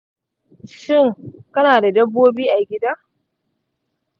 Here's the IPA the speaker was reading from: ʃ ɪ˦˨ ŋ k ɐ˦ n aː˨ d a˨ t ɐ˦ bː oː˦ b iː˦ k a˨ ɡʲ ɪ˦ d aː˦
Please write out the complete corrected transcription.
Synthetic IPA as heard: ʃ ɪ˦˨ ŋ k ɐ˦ n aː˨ d a˨ d ɐ˦ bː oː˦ b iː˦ ʔ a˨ ɡʲ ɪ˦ d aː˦